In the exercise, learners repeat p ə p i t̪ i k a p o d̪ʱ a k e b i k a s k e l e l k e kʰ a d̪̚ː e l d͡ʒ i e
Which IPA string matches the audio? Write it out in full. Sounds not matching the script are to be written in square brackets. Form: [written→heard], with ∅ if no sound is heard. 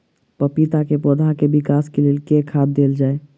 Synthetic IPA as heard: p ə p i t̪ [i→a] k [a→e] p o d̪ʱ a k e b i k a s k e l e l k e kʰ a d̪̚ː e l d͡ʒ [i→a] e